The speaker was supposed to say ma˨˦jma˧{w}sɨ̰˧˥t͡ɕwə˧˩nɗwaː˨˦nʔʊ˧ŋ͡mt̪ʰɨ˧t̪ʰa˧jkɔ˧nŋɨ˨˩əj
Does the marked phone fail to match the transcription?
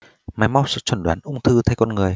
no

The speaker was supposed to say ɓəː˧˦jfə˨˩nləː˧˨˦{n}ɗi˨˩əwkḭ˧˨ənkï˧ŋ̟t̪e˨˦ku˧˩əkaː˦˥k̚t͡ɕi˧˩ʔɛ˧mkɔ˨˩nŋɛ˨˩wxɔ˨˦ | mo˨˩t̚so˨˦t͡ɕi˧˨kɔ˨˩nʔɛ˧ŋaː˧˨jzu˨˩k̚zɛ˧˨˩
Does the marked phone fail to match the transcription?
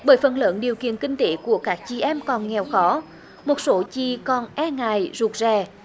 no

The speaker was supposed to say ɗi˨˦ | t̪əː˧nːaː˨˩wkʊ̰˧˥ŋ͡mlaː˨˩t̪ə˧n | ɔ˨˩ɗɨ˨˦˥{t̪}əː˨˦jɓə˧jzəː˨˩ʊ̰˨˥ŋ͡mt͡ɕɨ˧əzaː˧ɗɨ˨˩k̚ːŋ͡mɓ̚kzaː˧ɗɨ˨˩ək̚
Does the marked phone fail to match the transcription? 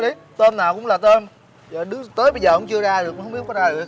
no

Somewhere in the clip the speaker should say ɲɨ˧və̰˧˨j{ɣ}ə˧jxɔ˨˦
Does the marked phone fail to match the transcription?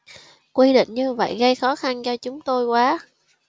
no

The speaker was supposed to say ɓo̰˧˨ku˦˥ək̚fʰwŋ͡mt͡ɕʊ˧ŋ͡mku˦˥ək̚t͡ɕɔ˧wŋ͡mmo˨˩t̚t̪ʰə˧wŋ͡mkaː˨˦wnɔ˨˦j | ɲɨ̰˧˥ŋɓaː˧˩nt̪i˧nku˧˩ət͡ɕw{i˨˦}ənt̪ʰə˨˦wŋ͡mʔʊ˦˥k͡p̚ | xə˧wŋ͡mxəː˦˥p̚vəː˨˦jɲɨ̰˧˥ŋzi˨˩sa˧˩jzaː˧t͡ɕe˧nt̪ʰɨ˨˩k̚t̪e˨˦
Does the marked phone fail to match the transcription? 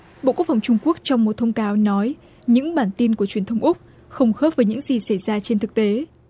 yes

